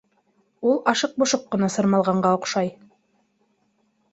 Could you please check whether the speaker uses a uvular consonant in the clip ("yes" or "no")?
yes